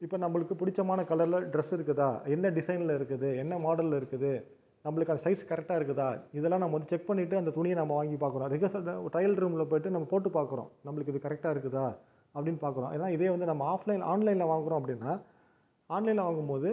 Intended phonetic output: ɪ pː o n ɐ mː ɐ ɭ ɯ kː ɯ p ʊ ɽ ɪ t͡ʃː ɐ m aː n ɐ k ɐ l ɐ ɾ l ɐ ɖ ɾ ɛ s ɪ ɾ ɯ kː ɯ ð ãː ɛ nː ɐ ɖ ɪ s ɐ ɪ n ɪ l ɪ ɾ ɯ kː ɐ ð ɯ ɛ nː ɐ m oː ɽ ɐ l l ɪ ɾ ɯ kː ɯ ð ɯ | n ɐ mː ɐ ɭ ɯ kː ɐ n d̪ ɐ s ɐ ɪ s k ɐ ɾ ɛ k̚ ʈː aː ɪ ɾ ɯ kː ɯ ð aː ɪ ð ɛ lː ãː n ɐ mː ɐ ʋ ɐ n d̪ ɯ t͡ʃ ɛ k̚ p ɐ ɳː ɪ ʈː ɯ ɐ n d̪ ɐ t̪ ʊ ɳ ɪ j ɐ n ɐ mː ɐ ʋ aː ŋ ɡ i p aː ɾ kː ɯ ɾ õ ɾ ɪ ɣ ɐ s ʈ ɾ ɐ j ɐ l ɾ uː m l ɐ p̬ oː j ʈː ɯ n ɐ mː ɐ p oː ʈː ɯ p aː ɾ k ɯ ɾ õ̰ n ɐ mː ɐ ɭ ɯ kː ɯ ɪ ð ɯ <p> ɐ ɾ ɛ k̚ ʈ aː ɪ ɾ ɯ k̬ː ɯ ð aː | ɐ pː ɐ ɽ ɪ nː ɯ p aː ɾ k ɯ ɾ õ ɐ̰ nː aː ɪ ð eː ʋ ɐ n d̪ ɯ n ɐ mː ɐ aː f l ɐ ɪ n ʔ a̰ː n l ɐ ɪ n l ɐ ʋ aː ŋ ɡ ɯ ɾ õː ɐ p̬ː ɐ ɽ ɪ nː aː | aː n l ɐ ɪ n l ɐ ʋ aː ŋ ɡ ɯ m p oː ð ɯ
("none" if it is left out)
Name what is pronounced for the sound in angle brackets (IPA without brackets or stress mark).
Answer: k